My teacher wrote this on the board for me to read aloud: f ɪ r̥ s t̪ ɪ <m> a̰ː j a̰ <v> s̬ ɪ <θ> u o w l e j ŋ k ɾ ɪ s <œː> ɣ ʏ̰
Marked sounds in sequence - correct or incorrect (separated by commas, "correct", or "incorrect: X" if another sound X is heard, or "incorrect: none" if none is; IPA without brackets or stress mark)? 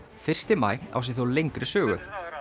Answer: correct, incorrect: w, correct, correct